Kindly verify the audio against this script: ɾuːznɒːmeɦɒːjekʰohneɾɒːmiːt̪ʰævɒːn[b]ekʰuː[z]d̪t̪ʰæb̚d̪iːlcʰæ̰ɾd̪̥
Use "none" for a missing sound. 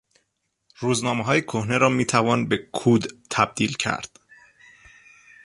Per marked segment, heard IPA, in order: b, none

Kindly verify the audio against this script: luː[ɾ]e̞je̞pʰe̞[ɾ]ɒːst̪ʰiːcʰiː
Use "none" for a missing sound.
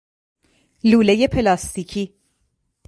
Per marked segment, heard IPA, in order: l, l

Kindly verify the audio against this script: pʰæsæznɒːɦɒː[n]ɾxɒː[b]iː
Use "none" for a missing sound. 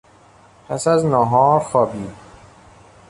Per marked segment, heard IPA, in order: none, b

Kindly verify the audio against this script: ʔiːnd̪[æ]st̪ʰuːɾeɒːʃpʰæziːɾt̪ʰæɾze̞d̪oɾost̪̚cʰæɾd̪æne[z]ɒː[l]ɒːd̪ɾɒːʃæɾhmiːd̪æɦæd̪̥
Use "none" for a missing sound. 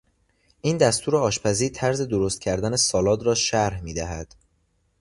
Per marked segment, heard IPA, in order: æ, s, l

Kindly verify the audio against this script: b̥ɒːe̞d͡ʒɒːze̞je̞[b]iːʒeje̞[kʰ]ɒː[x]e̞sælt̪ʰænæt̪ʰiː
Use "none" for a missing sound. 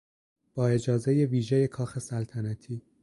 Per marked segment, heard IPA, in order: v, kʰ, x

